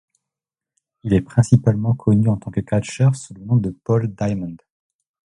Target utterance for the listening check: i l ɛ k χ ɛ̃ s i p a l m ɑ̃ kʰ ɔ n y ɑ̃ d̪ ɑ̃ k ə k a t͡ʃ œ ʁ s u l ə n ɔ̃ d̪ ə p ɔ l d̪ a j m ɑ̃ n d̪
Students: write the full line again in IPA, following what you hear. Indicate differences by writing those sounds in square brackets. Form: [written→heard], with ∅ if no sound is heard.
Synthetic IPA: i l ɛ [k→p] χ ɛ̃ s i p a l m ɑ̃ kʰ ɔ n y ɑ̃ [d̪→t̪] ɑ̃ k ə k a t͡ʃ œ ʁ s u l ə n ɔ̃ d̪ ə p ɔ l d̪ a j m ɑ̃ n d̪

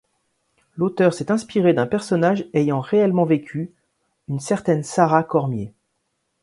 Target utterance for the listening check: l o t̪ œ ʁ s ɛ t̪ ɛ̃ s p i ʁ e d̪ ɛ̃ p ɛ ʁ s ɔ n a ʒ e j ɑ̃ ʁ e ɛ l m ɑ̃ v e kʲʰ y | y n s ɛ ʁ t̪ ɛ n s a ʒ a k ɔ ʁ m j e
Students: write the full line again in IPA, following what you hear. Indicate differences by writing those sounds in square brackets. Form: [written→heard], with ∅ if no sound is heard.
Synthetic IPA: l o t̪ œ ʁ s ɛ t̪ ɛ̃ s p i ʁ e d̪ ɛ̃ p ɛ ʁ s ɔ n a ʒ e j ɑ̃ ʁ e ɛ l m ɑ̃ v e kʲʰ y | y n s ɛ ʁ t̪ ɛ n s a [ʒ→ʁ] a k ɔ ʁ m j e

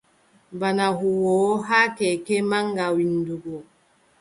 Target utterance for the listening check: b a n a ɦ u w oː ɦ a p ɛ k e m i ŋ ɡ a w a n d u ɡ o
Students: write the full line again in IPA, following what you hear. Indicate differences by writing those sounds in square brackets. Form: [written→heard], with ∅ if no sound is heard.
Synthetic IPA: b a n a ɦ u w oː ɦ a [p→k] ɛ k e m [i→a] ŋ ɡ a w [a→i] n d u ɡ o

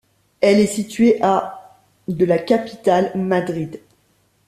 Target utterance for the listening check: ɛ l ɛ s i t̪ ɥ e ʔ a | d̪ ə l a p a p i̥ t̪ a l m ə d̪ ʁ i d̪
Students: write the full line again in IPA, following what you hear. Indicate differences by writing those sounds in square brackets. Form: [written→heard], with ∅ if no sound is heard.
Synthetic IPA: ɛ l ɛ s i t̪ ɥ e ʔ a | d̪ ə l a [p→k] a p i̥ t̪ a l m [ə→a] d̪ ʁ i d̪

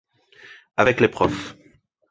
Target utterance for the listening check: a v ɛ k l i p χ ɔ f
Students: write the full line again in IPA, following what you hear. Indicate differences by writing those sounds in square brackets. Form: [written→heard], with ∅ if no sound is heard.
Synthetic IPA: a v ɛ k l [i→e] p χ ɔ f

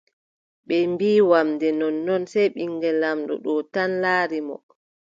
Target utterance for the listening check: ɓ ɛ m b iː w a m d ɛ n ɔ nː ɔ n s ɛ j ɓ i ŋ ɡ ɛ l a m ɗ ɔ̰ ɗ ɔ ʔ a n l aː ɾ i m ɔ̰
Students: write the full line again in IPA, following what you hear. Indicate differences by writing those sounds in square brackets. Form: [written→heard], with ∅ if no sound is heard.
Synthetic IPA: ɓ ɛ m b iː w a m d ɛ n ɔ nː ɔ n s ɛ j ɓ i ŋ ɡ ɛ l a m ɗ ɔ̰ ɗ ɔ [ʔ→t] a n l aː ɾ i m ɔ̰

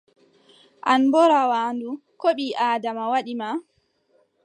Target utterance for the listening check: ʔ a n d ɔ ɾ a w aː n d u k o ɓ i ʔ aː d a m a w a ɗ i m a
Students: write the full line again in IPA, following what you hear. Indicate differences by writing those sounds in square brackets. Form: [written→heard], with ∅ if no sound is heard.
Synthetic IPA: ʔ a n [d→b] ɔ ɾ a w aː n d u k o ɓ i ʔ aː d a m a w a ɗ i m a

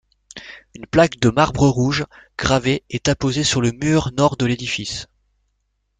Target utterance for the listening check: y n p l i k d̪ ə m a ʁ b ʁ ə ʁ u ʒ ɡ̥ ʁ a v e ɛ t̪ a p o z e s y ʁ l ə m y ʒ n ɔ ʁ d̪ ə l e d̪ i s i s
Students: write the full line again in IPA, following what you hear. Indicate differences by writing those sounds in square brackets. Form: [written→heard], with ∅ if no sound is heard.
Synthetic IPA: y n p l [i→a] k d̪ ə m a ʁ b ʁ ə ʁ u ʒ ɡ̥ ʁ a v e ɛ t̪ a p o z e s y ʁ l ə m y [ʒ→ʁ] n ɔ ʁ d̪ ə l e d̪ i [s→f] i s

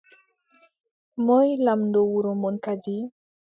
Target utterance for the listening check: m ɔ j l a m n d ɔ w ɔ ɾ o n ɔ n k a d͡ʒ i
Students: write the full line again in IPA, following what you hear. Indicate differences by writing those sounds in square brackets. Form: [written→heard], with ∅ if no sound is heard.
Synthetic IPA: m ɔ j l a m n d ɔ w [ɔ→u] ɾ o [n→m] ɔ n k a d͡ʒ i

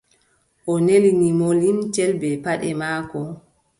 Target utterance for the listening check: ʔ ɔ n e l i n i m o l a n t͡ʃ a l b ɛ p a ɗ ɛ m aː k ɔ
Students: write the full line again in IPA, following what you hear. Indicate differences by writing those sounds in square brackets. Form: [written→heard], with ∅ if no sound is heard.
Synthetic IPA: ʔ ɔ n e l i n i m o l [a→i] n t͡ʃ [a→ɛ] l b ɛ p a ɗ ɛ m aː k ɔ

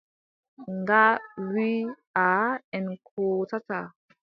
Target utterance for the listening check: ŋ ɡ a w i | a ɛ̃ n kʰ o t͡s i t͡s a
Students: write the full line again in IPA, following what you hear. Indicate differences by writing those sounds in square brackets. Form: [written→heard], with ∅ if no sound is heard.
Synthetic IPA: ŋ ɡ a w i | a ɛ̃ n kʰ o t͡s [i→a] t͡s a

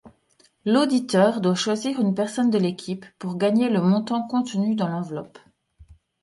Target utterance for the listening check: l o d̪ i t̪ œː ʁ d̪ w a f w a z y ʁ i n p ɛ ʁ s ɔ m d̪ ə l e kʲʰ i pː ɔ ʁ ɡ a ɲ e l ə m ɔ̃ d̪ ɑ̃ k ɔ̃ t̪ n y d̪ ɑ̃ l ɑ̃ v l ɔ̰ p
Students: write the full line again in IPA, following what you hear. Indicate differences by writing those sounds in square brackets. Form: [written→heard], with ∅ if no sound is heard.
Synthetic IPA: l o d̪ i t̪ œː ʁ d̪ w a [f→ʃ] w a z [y→i] ʁ [i→y] n p ɛ ʁ s ɔ [m→n] d̪ ə l e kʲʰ i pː [ɔ→u] ʁ ɡ a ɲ e l ə m ɔ̃ [d̪→t̪] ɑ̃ k ɔ̃ t̪ n y d̪ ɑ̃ l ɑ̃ v l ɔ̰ p

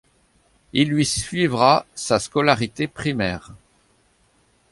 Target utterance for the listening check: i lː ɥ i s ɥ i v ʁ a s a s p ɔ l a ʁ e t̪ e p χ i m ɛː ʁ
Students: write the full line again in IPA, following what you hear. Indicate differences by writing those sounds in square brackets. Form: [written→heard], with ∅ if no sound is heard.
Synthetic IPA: i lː ɥ i s ɥ i v ʁ a s a s [p→k] ɔ l a ʁ [e→i] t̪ e p χ i m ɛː ʁ

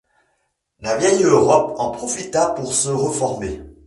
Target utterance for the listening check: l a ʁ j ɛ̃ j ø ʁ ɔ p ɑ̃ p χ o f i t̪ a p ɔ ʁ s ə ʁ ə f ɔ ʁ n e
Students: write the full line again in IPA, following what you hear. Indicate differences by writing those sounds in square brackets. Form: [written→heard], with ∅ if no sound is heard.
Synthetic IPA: l a [ʁ→v] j [ɛ̃→ɛ] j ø ʁ ɔ p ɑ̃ p χ [o→ɔ] f i t̪ a p [ɔ→u] ʁ s ə ʁ ə f ɔ ʁ [n→m] e

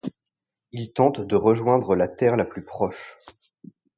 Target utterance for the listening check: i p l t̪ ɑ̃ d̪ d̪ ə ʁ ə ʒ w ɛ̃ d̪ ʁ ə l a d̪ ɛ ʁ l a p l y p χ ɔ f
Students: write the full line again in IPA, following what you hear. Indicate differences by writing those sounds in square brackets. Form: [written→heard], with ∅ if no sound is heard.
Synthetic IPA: i [p→∅] l t̪ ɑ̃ [d̪→t̪] d̪ ə ʁ ə ʒ w ɛ̃ d̪ ʁ ə l a [d̪→t̪] ɛ ʁ l a p l y p χ ɔ [f→ʃ]

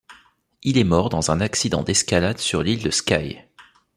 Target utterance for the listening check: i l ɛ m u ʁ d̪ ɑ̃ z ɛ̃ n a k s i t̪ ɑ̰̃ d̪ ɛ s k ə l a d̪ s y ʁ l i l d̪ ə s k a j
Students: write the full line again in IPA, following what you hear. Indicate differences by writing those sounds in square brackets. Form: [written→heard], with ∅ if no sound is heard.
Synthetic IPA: i l ɛ m [u→ɔ] ʁ d̪ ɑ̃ z ɛ̃ n a k s i [t̪→d̪] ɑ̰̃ d̪ ɛ s k [ə→a] l a d̪ s y ʁ l i l d̪ ə s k a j

